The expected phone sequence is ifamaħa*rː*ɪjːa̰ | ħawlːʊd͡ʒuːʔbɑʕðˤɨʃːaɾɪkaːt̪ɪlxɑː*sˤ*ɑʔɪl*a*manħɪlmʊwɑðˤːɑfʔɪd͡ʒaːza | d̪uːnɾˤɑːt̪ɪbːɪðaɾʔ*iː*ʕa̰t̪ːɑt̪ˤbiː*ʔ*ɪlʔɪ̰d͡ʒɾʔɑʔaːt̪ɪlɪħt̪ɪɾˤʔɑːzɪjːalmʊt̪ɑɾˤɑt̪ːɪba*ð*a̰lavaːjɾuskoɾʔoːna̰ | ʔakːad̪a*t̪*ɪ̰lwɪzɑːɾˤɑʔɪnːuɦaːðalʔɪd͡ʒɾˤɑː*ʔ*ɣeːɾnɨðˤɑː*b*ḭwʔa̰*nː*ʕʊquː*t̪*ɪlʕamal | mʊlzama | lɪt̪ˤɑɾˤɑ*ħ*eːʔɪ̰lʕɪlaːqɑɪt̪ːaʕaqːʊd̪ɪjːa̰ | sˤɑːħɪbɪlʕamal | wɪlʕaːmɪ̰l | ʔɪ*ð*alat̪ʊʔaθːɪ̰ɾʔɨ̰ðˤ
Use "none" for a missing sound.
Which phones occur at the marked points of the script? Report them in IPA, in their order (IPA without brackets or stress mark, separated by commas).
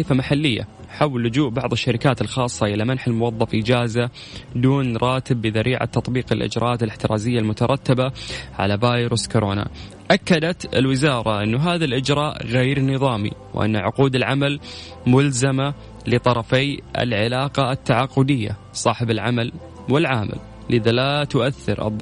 lː, sˤː, a, iː, q, ʕ, t̪, ʔ, m, nː, d̪, f, ð